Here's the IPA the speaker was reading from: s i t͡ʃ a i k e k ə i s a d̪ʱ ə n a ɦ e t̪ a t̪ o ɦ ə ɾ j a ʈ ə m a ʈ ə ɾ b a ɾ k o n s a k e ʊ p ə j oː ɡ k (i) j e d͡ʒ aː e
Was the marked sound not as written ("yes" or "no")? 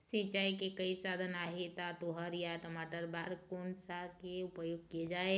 no